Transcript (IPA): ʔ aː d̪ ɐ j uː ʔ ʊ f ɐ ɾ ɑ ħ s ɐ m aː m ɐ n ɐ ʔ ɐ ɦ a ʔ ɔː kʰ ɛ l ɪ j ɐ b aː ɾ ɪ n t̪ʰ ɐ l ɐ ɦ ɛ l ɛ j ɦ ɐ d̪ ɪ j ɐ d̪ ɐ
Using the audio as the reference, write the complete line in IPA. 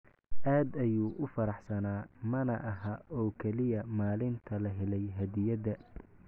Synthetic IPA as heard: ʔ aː d̪ ɐ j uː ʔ ʊ f ɐ ɾ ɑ ħ s ɐ n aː m ɐ n ɐ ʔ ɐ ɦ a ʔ ɔː kʰ ɛ l ɪ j ɐ m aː l ɪ n t̪ʰ ɐ l ɐ ɦ ɛ l ɛ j ɦ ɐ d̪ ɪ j ɐ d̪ ɐ